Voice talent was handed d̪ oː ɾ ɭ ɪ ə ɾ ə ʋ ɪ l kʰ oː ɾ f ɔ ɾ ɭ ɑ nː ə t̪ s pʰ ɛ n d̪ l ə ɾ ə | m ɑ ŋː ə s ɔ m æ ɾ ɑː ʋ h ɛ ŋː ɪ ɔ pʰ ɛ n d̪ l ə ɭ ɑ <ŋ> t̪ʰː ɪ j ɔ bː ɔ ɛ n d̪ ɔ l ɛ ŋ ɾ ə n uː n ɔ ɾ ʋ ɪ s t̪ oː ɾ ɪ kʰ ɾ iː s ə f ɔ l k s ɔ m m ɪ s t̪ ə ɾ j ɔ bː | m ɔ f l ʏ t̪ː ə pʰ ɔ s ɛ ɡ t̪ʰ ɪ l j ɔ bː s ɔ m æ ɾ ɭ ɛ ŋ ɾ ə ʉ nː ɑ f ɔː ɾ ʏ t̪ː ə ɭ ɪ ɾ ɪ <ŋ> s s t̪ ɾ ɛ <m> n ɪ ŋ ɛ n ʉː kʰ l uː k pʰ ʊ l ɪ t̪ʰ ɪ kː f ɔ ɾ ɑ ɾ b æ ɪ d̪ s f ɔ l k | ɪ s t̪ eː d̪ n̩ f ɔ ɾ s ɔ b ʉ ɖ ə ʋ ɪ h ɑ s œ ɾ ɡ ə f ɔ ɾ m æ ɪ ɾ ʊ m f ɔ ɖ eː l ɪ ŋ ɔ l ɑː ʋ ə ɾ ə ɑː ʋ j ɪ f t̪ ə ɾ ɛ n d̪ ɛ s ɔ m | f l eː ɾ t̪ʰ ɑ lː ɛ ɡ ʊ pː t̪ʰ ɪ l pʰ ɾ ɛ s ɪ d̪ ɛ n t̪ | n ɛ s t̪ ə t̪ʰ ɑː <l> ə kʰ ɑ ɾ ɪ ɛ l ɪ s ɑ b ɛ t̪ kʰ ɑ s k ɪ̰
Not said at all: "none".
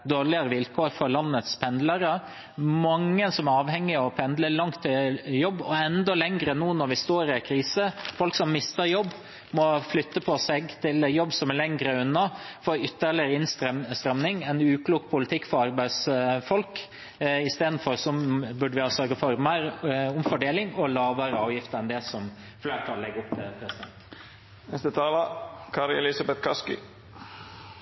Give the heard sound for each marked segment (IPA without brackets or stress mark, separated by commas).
ŋ, n, m, l